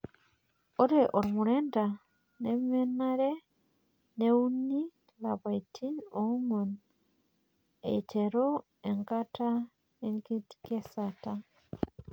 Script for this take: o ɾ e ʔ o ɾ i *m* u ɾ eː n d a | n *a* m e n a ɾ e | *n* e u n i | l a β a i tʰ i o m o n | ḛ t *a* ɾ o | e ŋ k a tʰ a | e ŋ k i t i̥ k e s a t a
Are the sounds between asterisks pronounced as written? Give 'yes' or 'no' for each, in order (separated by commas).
yes, no, yes, no